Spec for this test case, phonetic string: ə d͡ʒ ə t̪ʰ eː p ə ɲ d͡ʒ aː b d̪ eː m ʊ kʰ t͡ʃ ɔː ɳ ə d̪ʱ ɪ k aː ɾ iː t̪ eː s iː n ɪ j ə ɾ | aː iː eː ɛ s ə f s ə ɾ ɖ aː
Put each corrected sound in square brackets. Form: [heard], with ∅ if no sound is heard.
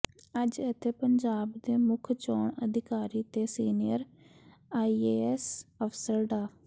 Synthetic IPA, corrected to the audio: ə d͡ʒ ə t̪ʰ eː p ə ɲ d͡ʒ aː b d̪ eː m ʊ kʰ t͡ʃ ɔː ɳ ə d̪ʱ ɪ k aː ɾ iː t̪ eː s iː n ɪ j ə ɾ | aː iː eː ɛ s ə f s ə ɾ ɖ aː